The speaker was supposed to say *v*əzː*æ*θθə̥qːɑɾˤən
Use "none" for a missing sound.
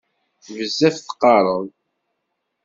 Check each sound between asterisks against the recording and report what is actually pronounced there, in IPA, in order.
v, æ

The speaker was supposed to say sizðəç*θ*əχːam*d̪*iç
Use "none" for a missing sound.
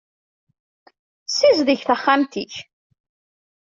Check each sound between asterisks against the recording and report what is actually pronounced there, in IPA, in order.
θ, t̪

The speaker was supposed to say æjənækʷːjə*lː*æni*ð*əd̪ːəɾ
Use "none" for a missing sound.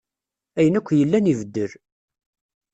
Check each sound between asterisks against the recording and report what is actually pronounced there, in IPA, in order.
lː, v

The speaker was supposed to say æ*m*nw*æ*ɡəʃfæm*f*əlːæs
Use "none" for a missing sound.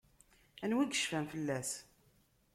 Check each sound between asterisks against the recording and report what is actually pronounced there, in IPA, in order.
none, i, f

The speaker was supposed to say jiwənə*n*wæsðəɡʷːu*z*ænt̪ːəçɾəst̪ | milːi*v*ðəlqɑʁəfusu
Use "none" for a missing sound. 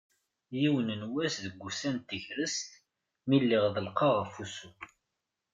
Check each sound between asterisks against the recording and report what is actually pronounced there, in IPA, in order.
n, s, ʁ

